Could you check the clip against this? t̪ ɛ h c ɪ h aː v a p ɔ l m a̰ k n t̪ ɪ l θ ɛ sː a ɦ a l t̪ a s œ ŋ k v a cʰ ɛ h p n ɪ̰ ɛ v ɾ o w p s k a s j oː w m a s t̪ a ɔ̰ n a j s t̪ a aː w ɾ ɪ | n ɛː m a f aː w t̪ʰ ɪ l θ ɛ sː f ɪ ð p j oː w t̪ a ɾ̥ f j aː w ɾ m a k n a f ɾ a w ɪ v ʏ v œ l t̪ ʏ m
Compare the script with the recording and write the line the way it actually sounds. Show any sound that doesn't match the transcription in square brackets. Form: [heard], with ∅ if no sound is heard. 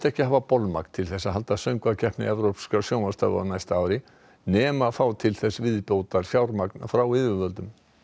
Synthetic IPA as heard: t̪ ɛ h c ɪ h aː v a p ɔ l m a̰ k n [t̪ʰ] ɪ l θ ɛ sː a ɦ a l t̪ a s œ ŋ k v a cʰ ɛ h p n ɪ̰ ɛ v ɾ o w p s k a s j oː w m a s t̪ a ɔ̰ n a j s t̪ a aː w ɾ ɪ | n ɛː m a f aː w t̪ʰ ɪ l θ ɛ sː [v] ɪ ð p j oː w t̪ a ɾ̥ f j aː w ɾ m a k n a f ɾ a w ɪ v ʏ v œ l t̪ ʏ m

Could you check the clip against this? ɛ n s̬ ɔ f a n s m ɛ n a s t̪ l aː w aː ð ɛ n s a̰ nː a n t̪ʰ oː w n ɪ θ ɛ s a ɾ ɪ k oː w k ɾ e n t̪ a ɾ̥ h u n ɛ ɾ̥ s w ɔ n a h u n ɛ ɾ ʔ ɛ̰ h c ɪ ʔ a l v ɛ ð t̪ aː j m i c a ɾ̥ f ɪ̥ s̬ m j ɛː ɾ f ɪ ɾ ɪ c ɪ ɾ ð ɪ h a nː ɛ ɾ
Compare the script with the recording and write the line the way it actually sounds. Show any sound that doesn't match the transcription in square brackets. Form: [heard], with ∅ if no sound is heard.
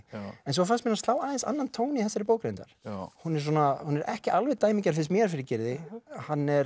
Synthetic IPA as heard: ɛ n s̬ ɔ f a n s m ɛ n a s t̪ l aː w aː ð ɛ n s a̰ nː a n t̪ʰ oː w n ɪ θ ɛ s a ɾ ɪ [p] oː w k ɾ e n t̪ a ɾ̥ h u n ɛ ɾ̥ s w ɔ n a h u n ɛ ɾ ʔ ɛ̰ h c ɪ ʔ a l v ɛ ð t̪ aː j m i c a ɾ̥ f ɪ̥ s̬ m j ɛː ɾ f ɪ ɾ ɪ c ɪ ɾ ð ɪ h a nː ɛ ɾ

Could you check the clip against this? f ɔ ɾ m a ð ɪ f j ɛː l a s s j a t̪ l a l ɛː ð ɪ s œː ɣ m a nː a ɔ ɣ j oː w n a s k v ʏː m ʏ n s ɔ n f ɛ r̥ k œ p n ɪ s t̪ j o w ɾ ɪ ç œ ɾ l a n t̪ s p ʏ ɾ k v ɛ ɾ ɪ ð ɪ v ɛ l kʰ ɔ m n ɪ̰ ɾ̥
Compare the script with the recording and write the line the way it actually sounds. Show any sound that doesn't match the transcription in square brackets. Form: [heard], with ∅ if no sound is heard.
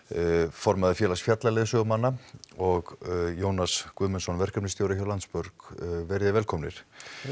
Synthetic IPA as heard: f ɔ ɾ m a ð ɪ f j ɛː l a s [f] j a t̪ l a l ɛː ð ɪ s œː ɣ m a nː a ɔ ɣ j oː w n a s k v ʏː m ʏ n s ɔ n [v] ɛ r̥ k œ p n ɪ s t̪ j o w ɾ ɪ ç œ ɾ l a n t̪ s p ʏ ɾ k v ɛ ɾ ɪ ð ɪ v ɛ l kʰ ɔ m n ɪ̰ ɾ̥

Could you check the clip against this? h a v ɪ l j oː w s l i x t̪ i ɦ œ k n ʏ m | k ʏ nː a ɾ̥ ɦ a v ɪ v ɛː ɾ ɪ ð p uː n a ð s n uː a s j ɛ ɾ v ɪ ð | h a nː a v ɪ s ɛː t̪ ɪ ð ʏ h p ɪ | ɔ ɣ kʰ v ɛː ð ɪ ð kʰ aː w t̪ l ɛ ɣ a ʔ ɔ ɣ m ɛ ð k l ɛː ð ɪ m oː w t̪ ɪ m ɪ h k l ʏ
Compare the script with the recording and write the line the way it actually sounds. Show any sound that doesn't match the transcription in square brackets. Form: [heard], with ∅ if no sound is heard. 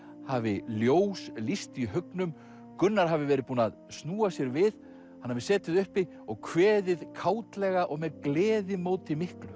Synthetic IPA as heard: h a v ɪ l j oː w s l i [s] t̪ i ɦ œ k n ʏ m | k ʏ nː a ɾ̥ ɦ a v ɪ v ɛː ɾ ɪ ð p uː n a ð s n uː a s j ɛ ɾ v ɪ ð | h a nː a v ɪ s ɛː t̪ ɪ ð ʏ h p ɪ | ɔ ɣ kʰ v ɛː ð ɪ ð kʰ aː w t̪ l ɛ ɣ a ʔ ɔ ɣ m ɛ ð k l ɛː ð ɪ m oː w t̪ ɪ m ɪ h k l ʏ

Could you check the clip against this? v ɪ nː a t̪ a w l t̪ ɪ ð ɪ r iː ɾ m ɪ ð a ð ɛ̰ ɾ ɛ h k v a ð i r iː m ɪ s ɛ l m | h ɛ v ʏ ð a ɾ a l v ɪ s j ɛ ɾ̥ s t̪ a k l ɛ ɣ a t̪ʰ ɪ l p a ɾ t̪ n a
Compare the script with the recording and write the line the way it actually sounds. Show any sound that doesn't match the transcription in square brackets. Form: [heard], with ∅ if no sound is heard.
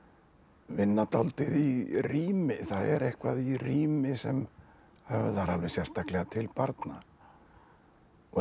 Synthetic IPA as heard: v ɪ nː a t̪ a w l t̪ ɪ ð [i] r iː [∅] m ɪ [θ] a ð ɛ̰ ɾ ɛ h k v a ð i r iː m ɪ s ɛ [∅] m | h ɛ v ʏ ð a ɾ a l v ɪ s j ɛ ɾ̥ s t̪ a k l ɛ ɣ a t̪ʰ ɪ l p a ɾ t̪ n a

